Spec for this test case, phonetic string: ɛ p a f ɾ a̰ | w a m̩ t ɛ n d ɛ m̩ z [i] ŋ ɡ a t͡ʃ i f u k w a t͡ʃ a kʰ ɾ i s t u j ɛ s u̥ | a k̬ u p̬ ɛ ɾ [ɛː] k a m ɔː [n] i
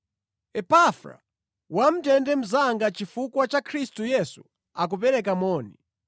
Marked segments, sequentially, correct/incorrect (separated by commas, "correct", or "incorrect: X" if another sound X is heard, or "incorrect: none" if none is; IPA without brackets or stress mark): incorrect: a, incorrect: ɛ, correct